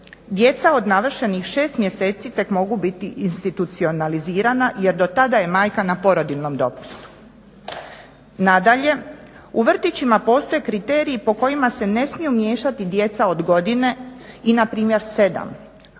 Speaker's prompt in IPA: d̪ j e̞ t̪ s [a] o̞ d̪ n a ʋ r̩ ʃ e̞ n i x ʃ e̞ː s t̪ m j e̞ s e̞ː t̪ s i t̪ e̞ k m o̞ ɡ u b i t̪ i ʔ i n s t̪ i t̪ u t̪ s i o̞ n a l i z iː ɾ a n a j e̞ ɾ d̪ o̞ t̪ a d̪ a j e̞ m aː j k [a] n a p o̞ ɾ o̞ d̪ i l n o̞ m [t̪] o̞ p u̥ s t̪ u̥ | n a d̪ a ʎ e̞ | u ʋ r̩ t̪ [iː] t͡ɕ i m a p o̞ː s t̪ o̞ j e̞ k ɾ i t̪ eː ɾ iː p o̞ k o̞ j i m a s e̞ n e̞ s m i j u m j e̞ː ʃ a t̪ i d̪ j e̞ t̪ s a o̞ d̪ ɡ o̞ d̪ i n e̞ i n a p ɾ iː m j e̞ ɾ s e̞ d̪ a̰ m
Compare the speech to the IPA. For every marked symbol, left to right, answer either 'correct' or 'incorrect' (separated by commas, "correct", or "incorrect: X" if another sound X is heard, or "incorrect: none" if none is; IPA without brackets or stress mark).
correct, correct, incorrect: d̪, incorrect: i